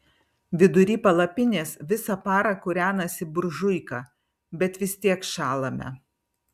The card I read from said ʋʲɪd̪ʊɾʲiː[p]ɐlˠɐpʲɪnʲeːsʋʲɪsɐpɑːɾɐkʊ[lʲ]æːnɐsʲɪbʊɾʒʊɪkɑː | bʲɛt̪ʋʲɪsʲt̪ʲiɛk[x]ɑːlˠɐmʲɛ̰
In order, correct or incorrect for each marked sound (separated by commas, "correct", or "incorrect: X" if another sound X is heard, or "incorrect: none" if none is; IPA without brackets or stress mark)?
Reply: correct, incorrect: ɾʲ, incorrect: ʃ